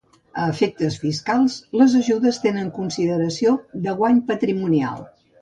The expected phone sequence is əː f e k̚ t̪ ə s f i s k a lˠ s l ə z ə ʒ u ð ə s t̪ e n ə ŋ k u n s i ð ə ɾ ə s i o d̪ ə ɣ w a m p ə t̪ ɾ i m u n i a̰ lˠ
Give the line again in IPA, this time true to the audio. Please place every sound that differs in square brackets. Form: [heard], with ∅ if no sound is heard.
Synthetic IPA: əː f e k̚ t̪ ə s f i s k a lˠ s l ə z ə ʒ u ð ə s t̪ e n ə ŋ k u n s i ð ə ɾ ə s i o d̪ ə ɣ w a [ɲ] p ə t̪ ɾ i m u n i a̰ lˠ